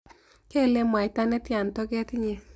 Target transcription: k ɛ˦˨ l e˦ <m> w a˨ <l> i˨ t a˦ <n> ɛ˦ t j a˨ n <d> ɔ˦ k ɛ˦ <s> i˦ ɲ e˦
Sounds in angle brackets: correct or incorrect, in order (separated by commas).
correct, incorrect, correct, incorrect, incorrect